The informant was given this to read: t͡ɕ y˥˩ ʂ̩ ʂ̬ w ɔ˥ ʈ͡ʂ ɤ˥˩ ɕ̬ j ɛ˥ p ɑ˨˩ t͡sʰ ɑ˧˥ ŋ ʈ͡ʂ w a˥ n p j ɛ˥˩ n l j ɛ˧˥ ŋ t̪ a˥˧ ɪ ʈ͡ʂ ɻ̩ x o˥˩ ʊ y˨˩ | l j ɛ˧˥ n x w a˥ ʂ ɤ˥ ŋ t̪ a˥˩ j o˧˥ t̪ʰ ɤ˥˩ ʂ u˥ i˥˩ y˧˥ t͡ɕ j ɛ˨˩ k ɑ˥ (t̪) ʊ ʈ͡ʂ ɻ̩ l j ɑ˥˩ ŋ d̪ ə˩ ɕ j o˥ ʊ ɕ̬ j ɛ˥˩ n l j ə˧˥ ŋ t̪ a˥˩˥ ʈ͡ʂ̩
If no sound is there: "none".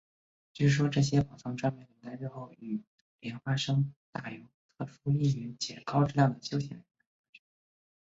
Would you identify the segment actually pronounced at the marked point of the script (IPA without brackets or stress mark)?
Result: none